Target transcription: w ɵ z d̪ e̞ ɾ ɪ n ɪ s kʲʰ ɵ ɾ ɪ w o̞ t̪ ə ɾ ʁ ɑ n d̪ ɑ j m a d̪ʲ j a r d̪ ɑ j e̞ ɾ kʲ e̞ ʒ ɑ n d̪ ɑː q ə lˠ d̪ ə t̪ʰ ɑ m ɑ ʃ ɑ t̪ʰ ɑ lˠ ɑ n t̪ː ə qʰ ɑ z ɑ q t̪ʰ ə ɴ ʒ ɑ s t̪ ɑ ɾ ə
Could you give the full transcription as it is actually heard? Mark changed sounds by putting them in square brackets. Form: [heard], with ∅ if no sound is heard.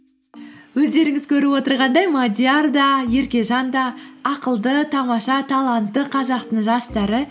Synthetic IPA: w ɵ z d̪ e̞ ɾ ɪ [ŋ] ɪ [z] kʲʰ ɵ ɾ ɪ w o̞ t̪ ə ɾ ʁ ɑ n d̪ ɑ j m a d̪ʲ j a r d̪ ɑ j e̞ ɾ kʲ e̞ ʒ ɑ n d̪ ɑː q ə lˠ d̪ ə t̪ʰ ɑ m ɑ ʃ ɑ t̪ʰ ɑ lˠ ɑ n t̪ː ə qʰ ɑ z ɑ q [t̪] ə ɴ ʒ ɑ s t̪ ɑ ɾ ə